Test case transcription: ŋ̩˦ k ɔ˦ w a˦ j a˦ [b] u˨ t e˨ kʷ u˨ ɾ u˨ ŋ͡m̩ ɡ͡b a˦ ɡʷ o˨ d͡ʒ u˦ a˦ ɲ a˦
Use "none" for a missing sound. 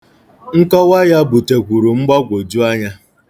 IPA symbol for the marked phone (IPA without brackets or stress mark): b